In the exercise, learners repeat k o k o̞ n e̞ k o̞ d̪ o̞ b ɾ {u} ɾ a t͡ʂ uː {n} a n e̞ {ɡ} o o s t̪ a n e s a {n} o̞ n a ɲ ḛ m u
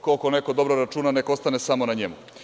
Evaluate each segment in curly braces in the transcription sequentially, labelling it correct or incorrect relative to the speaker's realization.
incorrect, correct, incorrect, incorrect

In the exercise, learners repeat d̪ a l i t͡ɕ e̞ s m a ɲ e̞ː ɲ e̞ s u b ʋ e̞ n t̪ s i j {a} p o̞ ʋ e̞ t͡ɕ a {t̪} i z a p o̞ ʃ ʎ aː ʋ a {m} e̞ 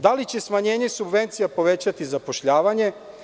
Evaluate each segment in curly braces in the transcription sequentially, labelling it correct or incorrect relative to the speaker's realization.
correct, correct, incorrect

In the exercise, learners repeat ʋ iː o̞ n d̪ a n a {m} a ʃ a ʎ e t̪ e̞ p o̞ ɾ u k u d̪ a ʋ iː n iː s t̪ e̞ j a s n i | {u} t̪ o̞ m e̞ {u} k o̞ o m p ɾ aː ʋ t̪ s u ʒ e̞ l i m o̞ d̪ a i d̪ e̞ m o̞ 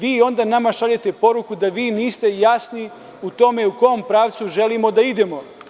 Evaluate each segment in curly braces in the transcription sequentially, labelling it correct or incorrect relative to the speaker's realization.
correct, correct, correct

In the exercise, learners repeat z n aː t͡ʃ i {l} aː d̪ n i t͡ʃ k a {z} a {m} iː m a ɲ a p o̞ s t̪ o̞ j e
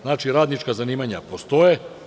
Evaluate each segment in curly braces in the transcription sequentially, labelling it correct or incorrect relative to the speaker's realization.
incorrect, correct, incorrect

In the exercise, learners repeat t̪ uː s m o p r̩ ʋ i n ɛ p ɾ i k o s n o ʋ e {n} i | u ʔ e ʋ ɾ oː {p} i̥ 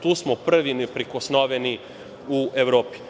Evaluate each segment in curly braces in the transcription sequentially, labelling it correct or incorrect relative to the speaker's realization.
correct, correct

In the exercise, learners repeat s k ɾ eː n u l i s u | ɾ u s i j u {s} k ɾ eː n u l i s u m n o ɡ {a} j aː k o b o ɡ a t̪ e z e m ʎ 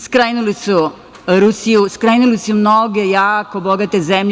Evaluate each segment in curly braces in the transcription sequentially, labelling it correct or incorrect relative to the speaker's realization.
correct, incorrect

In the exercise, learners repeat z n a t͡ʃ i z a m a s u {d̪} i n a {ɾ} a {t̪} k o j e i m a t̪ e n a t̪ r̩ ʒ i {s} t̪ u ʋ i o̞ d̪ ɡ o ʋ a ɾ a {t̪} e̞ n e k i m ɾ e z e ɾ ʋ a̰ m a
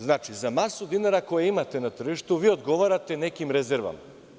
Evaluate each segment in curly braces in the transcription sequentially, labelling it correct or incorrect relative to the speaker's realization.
correct, correct, incorrect, incorrect, correct

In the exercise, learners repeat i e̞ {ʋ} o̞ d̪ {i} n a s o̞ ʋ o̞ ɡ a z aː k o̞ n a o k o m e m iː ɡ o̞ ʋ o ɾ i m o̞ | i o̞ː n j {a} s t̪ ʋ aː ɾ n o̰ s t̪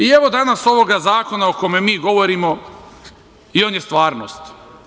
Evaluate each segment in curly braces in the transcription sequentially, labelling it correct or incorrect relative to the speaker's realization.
correct, incorrect, incorrect

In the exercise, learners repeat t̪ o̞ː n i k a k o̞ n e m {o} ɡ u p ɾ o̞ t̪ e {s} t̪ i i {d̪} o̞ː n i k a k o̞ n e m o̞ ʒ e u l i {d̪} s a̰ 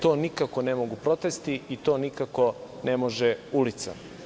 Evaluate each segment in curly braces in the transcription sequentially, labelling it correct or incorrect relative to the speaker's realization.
correct, correct, incorrect, incorrect

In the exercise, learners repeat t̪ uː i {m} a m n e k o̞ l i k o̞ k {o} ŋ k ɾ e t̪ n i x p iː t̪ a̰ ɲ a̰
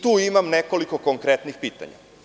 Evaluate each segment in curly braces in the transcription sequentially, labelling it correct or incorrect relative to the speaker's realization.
correct, correct

